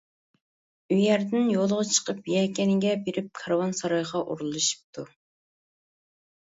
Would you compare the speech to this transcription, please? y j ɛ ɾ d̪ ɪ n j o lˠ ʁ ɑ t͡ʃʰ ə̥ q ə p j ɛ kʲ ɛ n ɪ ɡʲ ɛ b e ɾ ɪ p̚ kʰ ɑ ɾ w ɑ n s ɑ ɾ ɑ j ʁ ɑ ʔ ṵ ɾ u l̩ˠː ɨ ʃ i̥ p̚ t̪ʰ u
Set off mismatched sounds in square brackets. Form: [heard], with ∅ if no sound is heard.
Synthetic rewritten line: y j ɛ ɾ d̪ ɪ n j o lˠ ʁ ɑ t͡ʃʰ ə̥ q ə p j ɛ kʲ ɛ n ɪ ɡʲ ɛ b e ɾ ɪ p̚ kʰ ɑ ɾ w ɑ n s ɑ ɾ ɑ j ʁ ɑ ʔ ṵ ɾ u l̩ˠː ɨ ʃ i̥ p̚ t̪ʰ u